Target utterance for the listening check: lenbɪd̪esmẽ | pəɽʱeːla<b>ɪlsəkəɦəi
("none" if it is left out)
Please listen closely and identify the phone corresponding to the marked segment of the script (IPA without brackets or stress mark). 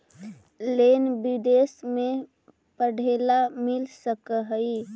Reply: m